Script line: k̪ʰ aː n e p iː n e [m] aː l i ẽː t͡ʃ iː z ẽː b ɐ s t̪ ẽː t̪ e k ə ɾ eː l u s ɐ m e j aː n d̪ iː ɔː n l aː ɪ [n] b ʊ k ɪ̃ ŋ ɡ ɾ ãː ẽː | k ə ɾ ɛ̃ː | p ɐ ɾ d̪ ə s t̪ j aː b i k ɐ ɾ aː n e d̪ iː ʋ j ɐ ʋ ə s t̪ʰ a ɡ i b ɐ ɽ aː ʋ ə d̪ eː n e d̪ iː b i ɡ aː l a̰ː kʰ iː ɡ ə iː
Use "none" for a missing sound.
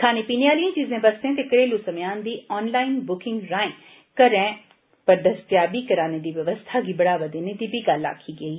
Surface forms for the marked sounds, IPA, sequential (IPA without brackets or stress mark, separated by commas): none, n